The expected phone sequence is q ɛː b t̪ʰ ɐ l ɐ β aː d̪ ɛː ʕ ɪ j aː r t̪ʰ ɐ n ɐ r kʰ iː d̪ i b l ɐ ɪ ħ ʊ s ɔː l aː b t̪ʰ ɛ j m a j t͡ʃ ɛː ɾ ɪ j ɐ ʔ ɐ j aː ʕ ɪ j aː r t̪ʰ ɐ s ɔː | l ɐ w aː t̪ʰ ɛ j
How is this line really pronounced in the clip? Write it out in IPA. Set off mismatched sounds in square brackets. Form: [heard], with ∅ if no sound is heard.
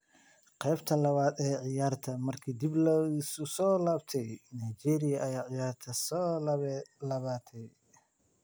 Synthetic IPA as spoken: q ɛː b t̪ʰ ɐ l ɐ β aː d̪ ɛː ʕ ɪ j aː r t̪ʰ ɐ [m] ɐ r kʰ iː d̪ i b l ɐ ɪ [s] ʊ s ɔː l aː b t̪ʰ ɛ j [n] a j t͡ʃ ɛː ɾ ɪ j ɐ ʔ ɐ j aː ʕ ɪ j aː r t̪ʰ ɐ s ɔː | l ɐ [β] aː t̪ʰ ɛ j